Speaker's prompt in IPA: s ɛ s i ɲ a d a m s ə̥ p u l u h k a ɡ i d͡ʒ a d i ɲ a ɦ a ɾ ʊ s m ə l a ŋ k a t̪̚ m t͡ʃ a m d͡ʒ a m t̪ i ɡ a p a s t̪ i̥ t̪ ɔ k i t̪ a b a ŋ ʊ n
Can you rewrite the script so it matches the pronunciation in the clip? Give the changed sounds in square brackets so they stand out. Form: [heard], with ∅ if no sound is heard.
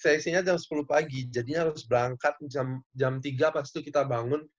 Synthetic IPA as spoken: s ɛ s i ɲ a [d͡ʒ] a m s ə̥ p u l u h [p] a ɡ i d͡ʒ a d i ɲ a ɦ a ɾ ʊ s [b] ə [ɾ] a ŋ k a t̪̚ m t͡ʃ a m d͡ʒ a m t̪ i ɡ a p a s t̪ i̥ t̪ [u] k i t̪ a b a ŋ ʊ n